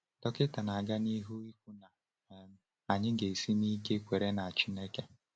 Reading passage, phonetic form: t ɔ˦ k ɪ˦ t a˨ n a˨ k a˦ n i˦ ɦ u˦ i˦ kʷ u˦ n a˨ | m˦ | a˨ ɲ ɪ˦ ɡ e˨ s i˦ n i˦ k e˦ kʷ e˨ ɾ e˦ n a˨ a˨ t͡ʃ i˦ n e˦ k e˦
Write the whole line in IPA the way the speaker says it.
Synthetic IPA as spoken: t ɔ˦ k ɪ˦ t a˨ n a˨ ɡ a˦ n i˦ ɦ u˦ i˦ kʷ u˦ n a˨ | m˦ | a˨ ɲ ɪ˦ ɡ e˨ s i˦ n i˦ k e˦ kʷ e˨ ɾ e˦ n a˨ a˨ t͡ʃ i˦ n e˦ k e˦